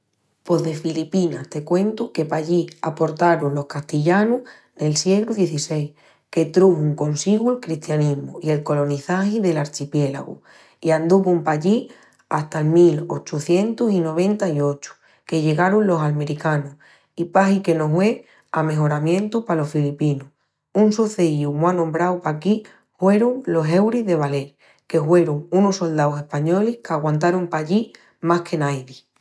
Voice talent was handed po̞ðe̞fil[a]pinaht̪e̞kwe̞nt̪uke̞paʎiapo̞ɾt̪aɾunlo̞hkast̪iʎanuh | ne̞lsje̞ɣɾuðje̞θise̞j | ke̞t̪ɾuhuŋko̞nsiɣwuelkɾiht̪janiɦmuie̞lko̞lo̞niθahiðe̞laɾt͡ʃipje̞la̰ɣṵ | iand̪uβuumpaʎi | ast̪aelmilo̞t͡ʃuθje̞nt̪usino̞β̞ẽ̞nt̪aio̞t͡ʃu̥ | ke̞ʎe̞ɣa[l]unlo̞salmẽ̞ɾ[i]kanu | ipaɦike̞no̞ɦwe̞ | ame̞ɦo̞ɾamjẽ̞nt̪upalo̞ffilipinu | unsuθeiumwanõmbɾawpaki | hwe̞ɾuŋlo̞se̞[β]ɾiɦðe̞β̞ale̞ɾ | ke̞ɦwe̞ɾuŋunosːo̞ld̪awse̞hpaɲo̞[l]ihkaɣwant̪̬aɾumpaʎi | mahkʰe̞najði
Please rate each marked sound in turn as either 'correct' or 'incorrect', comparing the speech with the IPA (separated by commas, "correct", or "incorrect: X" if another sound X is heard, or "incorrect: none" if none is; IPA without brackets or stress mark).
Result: incorrect: i, incorrect: ɾ, correct, incorrect: w, correct